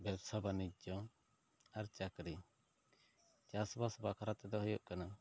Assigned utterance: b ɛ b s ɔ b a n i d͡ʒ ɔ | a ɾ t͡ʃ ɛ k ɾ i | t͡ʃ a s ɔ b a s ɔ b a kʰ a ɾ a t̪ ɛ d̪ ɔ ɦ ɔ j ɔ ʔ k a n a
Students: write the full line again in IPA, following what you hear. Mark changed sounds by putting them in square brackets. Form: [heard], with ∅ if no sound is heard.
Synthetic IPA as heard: b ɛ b s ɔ b a n i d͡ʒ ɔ | a ɾ t͡ʃ [a] k ɾ i | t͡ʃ a s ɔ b a s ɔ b a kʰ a ɾ a t̪ ɛ d̪ ɔ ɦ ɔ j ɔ ʔ k a n a